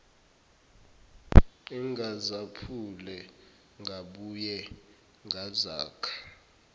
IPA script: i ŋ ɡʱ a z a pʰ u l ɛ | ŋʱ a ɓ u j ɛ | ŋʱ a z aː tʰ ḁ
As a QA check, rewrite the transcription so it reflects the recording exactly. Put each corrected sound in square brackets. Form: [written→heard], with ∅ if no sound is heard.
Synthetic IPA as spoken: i ŋ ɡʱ a z a pʰ u l ɛ | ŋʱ a ɓ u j ɛ | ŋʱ a z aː [tʰ→kʰ] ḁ